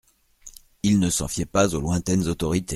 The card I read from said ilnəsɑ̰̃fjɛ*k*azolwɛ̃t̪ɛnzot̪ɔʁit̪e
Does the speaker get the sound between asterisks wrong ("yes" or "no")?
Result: yes